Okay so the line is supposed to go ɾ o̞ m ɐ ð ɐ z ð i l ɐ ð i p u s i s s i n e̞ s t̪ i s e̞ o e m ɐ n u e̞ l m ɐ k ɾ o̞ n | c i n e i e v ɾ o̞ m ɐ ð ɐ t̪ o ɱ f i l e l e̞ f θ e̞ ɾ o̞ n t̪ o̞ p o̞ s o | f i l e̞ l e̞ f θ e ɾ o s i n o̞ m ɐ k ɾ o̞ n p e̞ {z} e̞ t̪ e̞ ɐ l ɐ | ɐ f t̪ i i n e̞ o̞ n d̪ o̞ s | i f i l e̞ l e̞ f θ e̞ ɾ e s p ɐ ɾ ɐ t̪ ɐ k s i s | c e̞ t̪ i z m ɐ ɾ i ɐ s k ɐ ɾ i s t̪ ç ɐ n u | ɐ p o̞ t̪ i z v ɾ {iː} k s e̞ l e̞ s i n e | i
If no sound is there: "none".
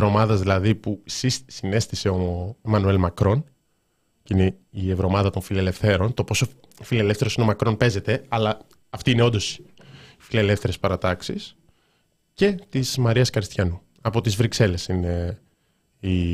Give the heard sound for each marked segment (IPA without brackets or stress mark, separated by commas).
z, i